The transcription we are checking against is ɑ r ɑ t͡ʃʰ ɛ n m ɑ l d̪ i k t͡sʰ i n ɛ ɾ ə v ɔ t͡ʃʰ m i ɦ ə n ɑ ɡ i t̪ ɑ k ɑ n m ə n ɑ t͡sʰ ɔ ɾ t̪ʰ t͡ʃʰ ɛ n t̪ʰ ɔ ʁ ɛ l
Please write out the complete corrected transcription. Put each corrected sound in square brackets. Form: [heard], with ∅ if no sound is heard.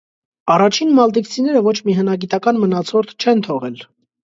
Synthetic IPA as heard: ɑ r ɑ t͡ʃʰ [i] n m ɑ l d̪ i k t͡sʰ i n ɛ ɾ ə v ɔ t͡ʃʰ m i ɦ ə n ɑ ɡ i t̪ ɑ k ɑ n m ə n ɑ t͡sʰ ɔ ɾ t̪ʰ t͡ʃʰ ɛ n t̪ʰ ɔ ʁ ɛ l